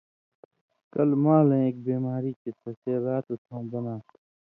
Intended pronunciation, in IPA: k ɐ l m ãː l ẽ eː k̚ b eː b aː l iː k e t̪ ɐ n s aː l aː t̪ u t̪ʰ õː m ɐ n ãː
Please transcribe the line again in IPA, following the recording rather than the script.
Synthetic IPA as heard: k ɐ l m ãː l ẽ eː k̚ b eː m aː ɾ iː k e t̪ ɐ s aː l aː t̪ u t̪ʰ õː b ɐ n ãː